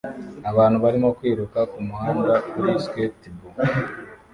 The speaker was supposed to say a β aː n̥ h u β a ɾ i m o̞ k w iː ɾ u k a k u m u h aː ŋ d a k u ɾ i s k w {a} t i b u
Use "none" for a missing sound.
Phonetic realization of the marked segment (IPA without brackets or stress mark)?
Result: e